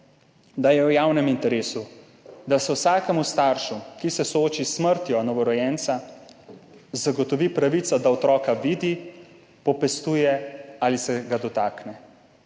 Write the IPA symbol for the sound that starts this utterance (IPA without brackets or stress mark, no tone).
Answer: d̪